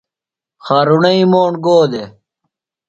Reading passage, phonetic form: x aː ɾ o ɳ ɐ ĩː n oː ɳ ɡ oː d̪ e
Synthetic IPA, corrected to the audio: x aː ɾ u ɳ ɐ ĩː m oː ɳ ɡ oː d̪ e